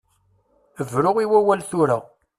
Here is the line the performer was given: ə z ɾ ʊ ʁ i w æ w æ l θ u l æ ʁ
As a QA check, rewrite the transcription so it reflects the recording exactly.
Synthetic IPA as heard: ə v ɾ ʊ ʁ i w æ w æ l θ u ɾ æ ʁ